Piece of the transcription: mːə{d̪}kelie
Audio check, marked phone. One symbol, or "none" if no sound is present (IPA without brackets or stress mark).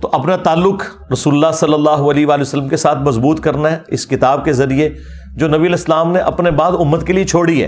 t̪